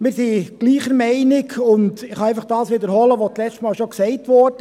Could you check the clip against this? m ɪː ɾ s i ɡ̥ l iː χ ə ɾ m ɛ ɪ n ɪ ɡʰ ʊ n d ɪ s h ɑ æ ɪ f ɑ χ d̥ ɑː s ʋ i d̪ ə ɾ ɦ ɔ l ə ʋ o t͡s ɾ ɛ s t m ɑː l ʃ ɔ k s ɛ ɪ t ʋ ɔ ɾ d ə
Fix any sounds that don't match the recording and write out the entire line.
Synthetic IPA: m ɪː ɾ s i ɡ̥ l iː χ ə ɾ m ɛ ɪ n ɪ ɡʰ ʊ n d ɪ χ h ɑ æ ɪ f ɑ χ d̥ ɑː s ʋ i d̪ ə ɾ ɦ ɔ l ə ʋ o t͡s l ɛ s t m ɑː l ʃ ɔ k s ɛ ɪ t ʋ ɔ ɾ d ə